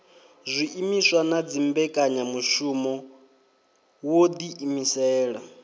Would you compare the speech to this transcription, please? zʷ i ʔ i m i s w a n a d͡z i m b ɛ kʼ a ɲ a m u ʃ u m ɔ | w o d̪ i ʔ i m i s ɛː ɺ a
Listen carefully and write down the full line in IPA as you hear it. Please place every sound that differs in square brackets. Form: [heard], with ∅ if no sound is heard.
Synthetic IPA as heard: zʷ i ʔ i m i s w a n a d͡z i m b ɛ kʼ a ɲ a m u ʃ u m ɔ | w o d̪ i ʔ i m i s ɛː ɺ a

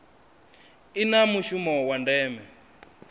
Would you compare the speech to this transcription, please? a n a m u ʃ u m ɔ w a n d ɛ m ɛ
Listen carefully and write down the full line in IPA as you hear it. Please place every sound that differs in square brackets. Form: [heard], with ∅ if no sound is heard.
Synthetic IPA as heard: [i] n a m u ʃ u m ɔ w a n d [ɛː] m ɛ

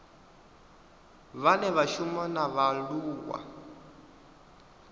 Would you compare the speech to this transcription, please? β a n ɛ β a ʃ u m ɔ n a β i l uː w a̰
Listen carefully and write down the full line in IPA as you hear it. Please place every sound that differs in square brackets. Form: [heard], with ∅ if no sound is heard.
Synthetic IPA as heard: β a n ɛ β a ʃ u m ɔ n a β [a] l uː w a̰

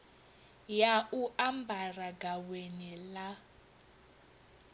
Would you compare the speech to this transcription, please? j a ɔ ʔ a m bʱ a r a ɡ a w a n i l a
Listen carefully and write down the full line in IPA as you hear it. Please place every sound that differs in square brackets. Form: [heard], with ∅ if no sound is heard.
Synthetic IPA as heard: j a [u] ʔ a m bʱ a r a ɡ a w [e] n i l a

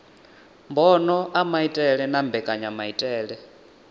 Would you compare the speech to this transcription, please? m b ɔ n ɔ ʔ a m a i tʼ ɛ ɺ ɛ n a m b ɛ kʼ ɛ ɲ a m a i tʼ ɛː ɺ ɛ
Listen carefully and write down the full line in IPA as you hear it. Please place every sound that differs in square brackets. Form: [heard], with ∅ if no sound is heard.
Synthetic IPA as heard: m b ɔ n ɔ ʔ a m a i tʼ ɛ ɺ ɛ n a m b ɛ kʼ [a] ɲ a m a i tʼ ɛː ɺ ɛ

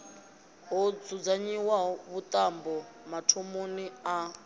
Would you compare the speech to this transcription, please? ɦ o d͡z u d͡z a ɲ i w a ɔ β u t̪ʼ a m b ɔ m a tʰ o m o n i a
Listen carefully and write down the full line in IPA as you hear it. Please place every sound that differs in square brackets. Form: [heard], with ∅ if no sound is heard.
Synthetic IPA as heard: ɦ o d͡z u d͡z a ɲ i w a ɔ β u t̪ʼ a m b ɔ m a tʰ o m o n i a

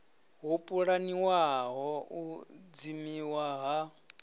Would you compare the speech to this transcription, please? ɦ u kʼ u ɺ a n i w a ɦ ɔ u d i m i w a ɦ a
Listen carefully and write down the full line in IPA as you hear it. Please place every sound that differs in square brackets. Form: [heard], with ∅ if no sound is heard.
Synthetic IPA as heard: ɦ u [pʼ] u ɺ a n i w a ɦ ɔ u [d͡z] i m i w a ɦ a

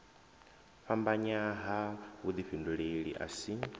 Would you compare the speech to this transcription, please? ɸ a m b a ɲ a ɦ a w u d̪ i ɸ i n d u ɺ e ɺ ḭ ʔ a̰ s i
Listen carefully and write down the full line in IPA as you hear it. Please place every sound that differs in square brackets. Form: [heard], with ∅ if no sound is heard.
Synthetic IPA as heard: ɸ a m b a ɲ a ɦ a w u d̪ i ɸ i n d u ɺ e ɺ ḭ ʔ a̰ s i

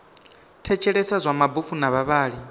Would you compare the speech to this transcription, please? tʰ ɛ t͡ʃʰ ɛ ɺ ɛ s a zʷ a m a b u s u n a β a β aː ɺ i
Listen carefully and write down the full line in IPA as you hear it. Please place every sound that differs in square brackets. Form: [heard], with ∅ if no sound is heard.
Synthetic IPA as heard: tʰ ɛ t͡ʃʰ ɛ ɺ ɛ s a zʷ a m a b u [f] u n a β a β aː ɺ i

